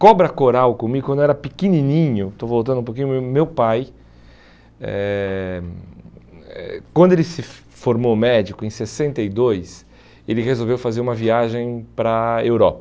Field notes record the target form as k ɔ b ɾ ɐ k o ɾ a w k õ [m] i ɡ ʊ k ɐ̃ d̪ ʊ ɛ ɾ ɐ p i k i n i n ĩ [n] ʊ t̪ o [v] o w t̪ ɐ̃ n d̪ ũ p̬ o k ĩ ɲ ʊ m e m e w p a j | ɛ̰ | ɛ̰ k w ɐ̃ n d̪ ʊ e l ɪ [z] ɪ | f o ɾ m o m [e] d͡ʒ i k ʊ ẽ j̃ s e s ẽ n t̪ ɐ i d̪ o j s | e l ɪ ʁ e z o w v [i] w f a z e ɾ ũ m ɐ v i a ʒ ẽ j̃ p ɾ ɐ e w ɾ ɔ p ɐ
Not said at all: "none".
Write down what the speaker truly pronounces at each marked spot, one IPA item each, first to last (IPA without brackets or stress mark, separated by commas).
m, ɲ, v, s, ɛ, e